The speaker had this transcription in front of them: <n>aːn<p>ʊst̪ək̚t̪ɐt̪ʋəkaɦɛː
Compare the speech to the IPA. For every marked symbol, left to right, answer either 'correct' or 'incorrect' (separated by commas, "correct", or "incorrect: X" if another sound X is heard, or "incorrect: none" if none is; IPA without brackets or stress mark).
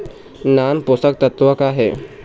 correct, correct